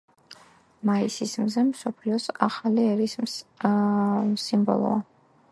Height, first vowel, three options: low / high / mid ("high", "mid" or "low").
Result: low